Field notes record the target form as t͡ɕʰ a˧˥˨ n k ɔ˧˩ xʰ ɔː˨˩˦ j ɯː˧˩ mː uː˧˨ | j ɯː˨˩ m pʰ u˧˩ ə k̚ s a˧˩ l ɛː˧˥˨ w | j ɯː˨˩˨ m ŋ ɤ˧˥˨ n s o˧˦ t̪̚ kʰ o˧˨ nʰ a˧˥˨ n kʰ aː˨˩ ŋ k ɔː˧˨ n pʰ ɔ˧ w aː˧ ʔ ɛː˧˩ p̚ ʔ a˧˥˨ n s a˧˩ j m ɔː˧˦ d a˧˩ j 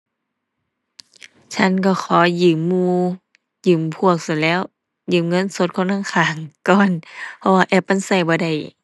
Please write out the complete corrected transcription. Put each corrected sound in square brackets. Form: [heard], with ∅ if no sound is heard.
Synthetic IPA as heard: t͡ɕʰ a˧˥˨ n k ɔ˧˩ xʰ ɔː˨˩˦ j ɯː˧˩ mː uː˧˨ | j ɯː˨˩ m pʰ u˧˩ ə k̚ s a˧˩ l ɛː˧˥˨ w | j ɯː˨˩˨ m ŋ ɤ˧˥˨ n s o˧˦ t̪̚ kʰ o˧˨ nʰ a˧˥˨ [ŋ] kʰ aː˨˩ ŋ k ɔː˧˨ n pʰ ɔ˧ w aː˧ ʔ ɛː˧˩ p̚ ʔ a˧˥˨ n s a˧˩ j [b] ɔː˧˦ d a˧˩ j